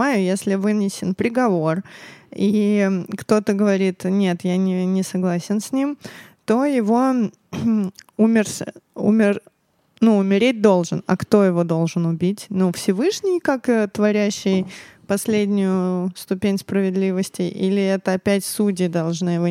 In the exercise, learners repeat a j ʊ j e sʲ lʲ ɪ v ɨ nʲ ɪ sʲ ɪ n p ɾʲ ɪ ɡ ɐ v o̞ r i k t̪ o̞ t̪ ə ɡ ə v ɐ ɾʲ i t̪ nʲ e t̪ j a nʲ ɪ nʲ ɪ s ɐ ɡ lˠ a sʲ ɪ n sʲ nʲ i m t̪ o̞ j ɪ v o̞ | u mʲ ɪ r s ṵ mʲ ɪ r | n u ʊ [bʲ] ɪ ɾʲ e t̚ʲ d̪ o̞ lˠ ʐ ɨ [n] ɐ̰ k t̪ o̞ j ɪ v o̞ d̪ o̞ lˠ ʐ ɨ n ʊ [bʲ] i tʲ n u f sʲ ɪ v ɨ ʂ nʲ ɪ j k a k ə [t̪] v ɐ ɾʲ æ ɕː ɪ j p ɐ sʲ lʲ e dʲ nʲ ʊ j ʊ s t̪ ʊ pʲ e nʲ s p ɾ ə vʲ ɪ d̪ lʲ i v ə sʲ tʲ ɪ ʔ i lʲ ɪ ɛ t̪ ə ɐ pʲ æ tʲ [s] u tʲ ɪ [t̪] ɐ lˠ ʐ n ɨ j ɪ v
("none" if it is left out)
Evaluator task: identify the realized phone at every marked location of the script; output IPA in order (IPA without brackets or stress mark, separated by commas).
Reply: mʲ, n, bʲ, t̪, s, d̪